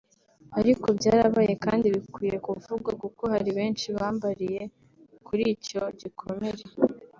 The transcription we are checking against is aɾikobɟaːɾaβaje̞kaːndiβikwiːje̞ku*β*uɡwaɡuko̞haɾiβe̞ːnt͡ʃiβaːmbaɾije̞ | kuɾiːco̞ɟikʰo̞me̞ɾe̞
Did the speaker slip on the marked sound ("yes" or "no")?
yes